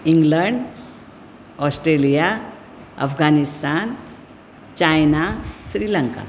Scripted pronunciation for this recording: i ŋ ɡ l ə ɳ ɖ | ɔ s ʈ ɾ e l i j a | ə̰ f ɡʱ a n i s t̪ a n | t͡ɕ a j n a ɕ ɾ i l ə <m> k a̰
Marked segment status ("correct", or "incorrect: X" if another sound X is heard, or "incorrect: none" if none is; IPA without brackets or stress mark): incorrect: ŋ